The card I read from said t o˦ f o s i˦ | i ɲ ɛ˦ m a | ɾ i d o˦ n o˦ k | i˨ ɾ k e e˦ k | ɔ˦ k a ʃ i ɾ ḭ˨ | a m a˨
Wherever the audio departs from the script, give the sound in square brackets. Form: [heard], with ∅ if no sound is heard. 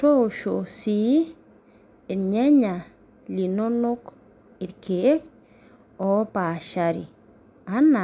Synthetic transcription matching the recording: t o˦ [ʃ] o s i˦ | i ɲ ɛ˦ [ɲ] a | [l] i [n] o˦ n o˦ k | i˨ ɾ k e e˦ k | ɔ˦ [p] a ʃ [a] ɾ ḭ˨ | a [n] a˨